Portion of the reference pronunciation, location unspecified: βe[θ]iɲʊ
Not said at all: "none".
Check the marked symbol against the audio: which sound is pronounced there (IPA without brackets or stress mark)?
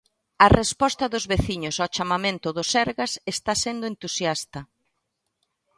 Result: θ